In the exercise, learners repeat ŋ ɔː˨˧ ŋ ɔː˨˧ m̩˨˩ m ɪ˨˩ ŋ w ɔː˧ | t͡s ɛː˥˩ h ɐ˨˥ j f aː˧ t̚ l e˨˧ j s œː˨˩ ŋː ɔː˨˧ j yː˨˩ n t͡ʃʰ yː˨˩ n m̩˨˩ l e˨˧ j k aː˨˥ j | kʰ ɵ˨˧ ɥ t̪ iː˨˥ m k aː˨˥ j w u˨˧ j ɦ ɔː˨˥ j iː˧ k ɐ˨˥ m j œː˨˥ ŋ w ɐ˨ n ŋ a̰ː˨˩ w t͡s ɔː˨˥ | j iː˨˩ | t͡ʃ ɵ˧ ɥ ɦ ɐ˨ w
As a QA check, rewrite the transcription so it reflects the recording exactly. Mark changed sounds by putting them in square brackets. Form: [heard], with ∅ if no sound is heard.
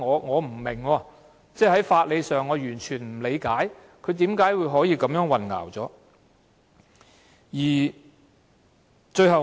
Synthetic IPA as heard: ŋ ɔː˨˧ ŋ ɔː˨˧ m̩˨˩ m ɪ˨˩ ŋ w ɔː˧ | t͡s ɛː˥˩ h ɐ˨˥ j f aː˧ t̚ l e˨˧ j s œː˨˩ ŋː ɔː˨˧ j yː˨˩ n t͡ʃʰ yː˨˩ n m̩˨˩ l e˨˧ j k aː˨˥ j | kʰ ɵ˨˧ ɥ t̪ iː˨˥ m k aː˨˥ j w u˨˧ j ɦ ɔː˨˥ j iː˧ k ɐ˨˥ m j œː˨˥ ŋ w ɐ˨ n ŋ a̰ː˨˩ w t͡s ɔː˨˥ | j iː˨˩ | t͡ʃ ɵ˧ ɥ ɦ ɐ˨ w